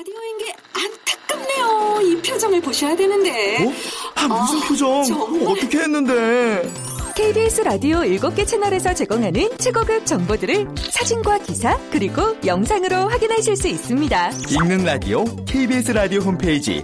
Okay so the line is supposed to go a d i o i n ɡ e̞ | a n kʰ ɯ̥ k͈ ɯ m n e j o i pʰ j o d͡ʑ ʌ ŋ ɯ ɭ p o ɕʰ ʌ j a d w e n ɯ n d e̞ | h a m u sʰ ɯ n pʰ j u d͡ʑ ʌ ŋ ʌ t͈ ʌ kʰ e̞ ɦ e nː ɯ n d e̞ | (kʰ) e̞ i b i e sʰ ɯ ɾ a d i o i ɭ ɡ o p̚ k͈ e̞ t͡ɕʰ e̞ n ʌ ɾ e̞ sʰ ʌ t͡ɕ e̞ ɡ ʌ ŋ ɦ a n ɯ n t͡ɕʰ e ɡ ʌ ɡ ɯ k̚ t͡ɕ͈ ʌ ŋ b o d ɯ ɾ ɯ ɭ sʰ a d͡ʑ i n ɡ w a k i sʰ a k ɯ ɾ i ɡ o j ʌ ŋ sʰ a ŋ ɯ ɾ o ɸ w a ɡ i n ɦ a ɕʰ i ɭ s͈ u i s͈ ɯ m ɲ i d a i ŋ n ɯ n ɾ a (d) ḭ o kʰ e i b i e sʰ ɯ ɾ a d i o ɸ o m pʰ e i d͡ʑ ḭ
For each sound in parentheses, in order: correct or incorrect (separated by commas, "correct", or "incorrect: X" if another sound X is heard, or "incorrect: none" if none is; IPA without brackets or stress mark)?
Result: correct, correct